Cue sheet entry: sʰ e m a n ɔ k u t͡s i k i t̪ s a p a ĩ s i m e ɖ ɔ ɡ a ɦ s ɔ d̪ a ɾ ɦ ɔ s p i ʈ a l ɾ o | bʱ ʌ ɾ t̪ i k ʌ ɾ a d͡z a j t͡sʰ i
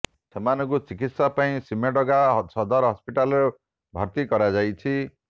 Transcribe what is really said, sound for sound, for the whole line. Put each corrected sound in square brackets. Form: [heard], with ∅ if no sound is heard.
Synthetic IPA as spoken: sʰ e m a n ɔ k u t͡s i k i t̪ s a p a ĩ s i m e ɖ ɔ ɡ a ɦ s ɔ d̪ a ɾ ɦ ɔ s p i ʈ a l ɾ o | bʱ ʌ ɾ t̪ i k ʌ ɾ a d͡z a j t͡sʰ i